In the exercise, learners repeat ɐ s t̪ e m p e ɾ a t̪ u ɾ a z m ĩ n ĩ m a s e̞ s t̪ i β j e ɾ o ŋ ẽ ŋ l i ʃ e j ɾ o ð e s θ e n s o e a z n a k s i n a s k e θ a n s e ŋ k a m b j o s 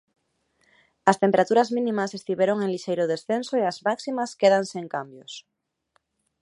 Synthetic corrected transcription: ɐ s t̪ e m p e ɾ a t̪ u ɾ a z m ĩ n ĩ m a s e̞ s t̪ i β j e ɾ o ŋ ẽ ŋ l i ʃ e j ɾ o ð e s θ e n s o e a z m a k s i m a s k e ð a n s e ŋ k a m b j o s